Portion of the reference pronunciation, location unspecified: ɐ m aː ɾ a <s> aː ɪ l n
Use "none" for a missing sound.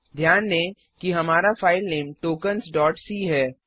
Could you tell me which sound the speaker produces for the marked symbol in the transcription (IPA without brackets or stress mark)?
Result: f